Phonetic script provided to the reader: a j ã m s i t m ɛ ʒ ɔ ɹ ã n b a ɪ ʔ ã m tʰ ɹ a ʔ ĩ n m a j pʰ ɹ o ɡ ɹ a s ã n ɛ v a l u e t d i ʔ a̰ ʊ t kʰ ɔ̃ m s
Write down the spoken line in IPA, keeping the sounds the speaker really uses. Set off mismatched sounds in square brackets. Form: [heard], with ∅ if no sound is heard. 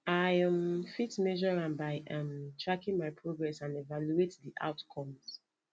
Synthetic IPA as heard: a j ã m [f] i t m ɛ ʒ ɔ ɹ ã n b a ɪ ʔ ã m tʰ ɹ a [k] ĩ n m a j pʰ ɹ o ɡ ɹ [ɛ] s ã n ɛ v a l u e t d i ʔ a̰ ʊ t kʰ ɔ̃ m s